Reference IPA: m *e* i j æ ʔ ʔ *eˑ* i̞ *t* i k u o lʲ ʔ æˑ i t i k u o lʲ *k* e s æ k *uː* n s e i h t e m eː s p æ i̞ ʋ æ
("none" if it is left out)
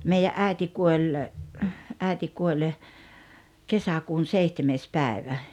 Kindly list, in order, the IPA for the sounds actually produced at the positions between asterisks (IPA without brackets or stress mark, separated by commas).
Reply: e, æˑ, t, k, uː